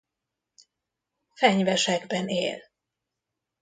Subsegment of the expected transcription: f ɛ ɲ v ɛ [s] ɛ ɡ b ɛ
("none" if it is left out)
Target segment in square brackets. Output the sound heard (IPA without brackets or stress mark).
ʃ